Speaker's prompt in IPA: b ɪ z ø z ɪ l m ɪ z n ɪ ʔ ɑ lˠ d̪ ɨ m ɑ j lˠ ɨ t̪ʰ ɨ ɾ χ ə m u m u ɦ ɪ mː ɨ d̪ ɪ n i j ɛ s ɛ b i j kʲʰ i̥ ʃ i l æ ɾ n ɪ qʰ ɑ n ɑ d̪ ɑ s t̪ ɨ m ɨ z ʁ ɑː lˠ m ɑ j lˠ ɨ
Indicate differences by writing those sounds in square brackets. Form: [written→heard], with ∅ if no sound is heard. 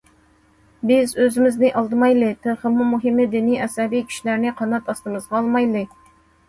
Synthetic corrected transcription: b ɪ z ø z ɪ [l→∅] m ɪ z n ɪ ʔ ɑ lˠ d̪ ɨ m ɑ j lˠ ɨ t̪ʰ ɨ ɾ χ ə m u m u ɦ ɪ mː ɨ d̪ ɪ n i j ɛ s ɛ b i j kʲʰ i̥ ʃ i l æ ɾ n ɪ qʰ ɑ n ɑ [d̪→t̪] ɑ s t̪ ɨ m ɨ z ʁ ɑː lˠ m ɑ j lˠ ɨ